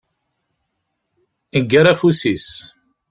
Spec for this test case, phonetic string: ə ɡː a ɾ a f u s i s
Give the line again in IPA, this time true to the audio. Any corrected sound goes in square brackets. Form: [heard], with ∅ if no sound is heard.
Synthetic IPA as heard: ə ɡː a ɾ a f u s i s